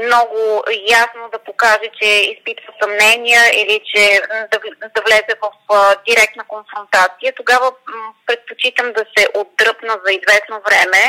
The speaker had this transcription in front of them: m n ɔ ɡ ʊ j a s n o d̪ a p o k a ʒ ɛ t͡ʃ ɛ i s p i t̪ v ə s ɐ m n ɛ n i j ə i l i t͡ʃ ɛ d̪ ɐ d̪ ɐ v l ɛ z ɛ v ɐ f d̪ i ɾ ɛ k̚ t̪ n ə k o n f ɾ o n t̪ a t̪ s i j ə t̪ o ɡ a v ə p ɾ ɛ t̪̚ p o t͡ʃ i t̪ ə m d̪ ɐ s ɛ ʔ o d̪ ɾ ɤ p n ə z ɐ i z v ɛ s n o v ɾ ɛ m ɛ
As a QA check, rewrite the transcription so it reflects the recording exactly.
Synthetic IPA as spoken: m n ɔ ɡ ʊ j a s n o d̪ ɐ p o k a ʒ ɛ t͡ʃ ɛ i s p i t̪ v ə s ɐ m n ɛ n i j ə i l i t͡ʃ ɛ d̪ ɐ d̪ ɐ v l ɛ z ɛ v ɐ f d̪ i ɾ ɛ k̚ t̪ n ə k o n f ɾ o n t̪ a t̪ s i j ə t̪ o ɡ a v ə p ɾ ɛ t̪̚ p o t͡ʃ i t̪ ə m d̪ ɐ s ɛ ʔ o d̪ ɾ ɤ p n ə z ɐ i z v ɛ s n o v ɾ ɛ m ɛ